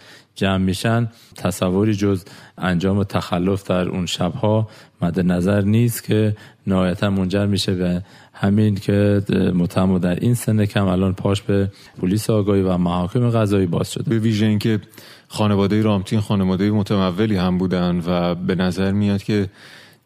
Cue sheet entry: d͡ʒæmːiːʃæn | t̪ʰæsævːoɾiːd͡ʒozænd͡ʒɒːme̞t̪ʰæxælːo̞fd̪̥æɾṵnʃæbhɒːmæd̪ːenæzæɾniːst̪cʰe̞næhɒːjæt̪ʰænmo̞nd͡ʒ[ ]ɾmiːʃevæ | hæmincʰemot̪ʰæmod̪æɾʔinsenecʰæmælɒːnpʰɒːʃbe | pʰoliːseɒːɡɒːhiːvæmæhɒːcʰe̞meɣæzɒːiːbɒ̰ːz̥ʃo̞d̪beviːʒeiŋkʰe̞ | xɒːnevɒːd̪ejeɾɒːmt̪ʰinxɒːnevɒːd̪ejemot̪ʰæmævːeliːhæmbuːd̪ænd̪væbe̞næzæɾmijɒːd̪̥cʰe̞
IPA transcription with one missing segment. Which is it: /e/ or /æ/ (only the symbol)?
æ